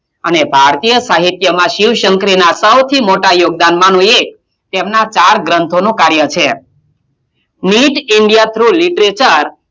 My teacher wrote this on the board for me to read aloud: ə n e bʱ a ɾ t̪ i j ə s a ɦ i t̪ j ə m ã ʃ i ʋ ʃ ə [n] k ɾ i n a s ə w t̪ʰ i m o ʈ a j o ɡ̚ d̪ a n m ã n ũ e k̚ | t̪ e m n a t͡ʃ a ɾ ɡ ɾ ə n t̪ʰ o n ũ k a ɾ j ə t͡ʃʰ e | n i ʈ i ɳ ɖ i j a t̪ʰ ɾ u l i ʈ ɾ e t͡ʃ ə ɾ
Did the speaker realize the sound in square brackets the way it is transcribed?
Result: no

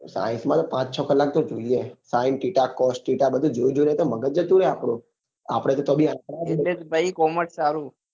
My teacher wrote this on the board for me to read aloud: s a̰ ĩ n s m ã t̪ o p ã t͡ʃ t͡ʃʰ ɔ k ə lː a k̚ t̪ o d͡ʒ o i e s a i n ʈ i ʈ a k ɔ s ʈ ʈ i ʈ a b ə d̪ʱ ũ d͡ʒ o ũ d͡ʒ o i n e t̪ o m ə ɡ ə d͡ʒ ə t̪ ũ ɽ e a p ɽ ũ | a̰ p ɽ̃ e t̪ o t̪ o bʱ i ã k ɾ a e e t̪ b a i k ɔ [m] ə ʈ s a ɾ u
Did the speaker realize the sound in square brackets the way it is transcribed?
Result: yes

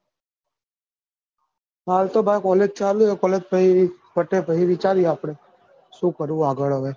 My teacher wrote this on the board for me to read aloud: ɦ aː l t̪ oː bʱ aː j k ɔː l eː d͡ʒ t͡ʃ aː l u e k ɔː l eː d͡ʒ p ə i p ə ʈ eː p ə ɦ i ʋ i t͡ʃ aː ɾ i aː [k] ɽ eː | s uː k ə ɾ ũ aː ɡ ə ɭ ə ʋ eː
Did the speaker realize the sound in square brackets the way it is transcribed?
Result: no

